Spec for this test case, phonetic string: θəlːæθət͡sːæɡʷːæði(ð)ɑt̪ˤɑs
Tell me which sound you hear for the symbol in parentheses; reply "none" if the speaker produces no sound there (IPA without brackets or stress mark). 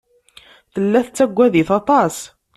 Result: θ